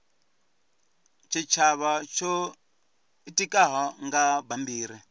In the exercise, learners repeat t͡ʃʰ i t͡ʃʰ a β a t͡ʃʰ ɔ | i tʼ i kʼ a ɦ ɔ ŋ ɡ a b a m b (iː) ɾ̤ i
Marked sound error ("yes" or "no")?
no